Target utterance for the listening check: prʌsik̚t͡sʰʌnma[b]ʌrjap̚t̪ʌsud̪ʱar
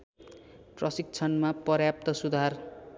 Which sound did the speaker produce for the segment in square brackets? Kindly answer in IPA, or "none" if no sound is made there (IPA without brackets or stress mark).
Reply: p